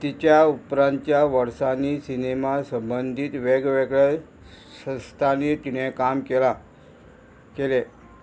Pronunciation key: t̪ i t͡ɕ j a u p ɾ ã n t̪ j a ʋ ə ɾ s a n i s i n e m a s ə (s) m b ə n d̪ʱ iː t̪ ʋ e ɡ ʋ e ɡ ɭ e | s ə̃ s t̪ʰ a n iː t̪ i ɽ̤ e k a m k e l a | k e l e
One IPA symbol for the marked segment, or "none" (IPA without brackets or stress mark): none